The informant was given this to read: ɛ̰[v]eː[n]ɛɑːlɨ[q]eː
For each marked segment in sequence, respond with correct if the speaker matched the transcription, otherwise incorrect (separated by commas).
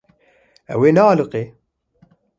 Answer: incorrect, correct, correct